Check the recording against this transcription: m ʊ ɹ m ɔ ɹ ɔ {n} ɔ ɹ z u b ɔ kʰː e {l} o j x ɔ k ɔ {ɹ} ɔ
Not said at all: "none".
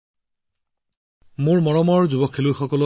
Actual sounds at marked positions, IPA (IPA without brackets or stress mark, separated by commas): m, l, l